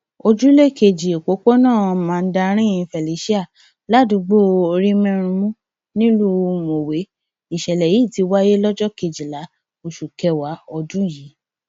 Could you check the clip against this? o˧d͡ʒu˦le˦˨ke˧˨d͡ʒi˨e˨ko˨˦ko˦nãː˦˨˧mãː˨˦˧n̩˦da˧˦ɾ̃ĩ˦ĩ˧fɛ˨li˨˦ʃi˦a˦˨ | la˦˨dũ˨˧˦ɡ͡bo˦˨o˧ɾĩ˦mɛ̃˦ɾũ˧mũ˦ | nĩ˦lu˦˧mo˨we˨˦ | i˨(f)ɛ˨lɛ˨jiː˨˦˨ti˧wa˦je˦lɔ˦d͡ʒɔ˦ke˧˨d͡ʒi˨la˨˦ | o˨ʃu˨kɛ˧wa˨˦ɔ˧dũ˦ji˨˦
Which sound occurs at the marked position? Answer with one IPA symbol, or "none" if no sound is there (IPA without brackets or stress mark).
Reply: ʃ